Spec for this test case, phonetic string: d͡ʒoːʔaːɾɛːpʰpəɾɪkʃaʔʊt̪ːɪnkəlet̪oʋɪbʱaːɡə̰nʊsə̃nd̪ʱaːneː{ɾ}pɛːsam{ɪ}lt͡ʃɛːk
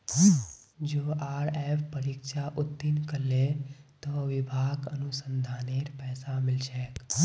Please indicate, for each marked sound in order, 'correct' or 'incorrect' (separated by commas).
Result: correct, correct